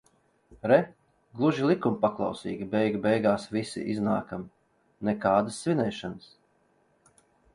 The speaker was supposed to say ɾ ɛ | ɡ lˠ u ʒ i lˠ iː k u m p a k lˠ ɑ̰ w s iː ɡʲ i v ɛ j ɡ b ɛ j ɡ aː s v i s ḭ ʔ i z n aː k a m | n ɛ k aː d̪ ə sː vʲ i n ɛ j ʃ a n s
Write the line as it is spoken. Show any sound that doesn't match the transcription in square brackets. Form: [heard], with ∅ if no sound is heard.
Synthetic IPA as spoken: ɾ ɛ | ɡ lˠ u ʒ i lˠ [i] k u m p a k lˠ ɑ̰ w s iː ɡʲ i [b] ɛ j ɡ b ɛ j ɡ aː s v i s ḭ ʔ i z n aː k a m | n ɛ k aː d̪ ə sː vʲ i n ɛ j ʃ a n s